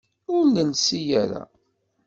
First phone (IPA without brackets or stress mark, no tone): ʊ